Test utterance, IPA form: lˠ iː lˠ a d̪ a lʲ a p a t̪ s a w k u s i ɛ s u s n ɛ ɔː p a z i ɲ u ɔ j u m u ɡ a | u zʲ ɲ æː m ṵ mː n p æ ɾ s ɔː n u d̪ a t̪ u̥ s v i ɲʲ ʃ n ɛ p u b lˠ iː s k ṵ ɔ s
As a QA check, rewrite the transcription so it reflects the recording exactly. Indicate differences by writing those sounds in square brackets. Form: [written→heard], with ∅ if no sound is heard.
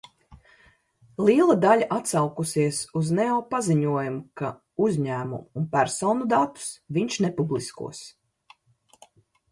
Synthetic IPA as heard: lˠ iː lˠ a d̪ a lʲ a [p→ʔ] a t̪ s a w k u s i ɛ s u [s→z] n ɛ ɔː p a z i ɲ u ɔ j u m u [ɡ→k] a | u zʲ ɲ æː m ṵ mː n p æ ɾ s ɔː n u d̪ a t̪ u̥ s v i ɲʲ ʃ n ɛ p u b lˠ [iː→i] s k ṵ ɔ s

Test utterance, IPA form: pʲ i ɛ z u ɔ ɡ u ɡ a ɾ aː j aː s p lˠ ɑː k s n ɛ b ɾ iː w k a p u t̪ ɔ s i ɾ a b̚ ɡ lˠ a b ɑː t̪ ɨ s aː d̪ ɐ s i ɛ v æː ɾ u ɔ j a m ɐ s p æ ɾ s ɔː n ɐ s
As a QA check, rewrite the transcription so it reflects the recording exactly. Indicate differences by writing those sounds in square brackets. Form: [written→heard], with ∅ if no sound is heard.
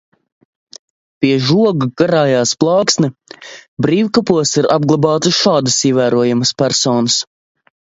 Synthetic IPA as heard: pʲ i ɛ [z→ʒ] u ɔ ɡ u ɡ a ɾ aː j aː s p lˠ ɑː k s n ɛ b ɾ iː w k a p u [t̪→∅] ɔ s i ɾ a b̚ ɡ lˠ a b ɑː t̪ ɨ [s→ʃ] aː d̪ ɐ s i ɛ v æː ɾ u ɔ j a m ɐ s p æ ɾ s ɔː n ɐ s

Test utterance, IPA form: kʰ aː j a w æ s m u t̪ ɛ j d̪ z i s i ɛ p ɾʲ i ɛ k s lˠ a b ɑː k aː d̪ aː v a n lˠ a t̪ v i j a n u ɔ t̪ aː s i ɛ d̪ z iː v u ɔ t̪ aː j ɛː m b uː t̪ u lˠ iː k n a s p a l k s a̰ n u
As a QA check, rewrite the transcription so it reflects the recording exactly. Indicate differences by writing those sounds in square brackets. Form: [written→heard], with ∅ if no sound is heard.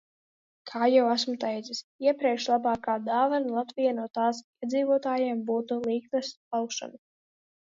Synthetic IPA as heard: kʰ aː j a w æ s m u t̪ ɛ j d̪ z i s i ɛ p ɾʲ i ɛ k [s→ʃ] lˠ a b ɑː k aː d̪ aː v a n lˠ a t̪ v i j a n u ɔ t̪ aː s i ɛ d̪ z iː v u ɔ t̪ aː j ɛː m b uː t̪ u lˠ iː k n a s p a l k [s→ʃ] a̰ n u

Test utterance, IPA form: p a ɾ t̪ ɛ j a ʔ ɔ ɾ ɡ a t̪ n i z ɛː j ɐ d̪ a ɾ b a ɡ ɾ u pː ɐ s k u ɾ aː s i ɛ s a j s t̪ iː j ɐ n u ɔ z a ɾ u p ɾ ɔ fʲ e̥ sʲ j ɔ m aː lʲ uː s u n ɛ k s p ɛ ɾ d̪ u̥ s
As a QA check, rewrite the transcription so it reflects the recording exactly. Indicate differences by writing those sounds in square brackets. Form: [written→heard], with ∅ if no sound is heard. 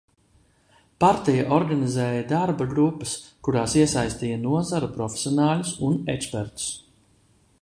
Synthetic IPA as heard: p a ɾ t̪ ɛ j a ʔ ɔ ɾ ɡ a [t̪→∅] n i z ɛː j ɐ d̪ a ɾ b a ɡ ɾ u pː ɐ s k u ɾ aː s i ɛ s a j s t̪ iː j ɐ n u ɔ z a ɾ u p ɾ ɔ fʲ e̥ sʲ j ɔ [m→n] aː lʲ [uː→u] s u n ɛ k s p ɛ ɾ [d̪→t̪] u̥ s

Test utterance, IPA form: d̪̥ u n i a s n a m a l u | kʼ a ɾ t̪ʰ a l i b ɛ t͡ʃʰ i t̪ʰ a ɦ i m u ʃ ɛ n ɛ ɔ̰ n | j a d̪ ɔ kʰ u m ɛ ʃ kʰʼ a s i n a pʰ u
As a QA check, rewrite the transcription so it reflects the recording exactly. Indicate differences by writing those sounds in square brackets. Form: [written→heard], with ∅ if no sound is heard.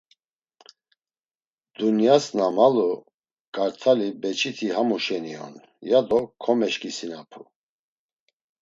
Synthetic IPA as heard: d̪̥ u n [i→j] a s n a m a l u | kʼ a ɾ t̪ʰ a l i b ɛ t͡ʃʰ i t̪ʰ [a→i] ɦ [i→a] m u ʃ ɛ n [ɛ→i] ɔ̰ n | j a d̪ ɔ kʰ [u→ɔ] m ɛ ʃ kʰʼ [a→i] s i n a pʰ u

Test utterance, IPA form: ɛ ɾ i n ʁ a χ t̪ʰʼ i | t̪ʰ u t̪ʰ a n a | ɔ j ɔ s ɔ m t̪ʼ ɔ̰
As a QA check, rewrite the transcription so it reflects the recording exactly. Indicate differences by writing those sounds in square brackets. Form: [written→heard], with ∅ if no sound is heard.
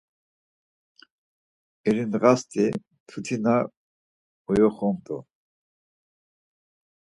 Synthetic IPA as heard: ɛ ɾ i n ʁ a [χ→s] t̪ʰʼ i | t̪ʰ u t̪ʰ [a→i] n a | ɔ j ɔ [s→χ] ɔ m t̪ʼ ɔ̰

